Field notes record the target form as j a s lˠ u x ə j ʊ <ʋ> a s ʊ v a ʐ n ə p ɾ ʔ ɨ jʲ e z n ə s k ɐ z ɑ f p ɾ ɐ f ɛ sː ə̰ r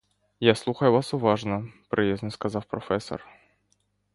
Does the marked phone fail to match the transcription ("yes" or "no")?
yes